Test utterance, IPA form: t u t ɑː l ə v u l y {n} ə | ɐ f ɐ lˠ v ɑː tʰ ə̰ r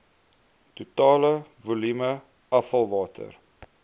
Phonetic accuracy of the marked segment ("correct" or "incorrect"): incorrect